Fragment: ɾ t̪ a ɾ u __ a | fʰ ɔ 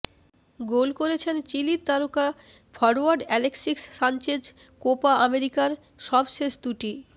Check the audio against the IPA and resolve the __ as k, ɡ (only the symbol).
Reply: k